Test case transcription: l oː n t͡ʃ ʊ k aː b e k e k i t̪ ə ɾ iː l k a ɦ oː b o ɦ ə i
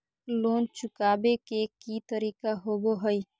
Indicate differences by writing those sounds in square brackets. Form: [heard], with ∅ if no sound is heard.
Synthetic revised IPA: l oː n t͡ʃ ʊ k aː b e k e k i t̪ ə ɾ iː [∅] k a ɦ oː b o ɦ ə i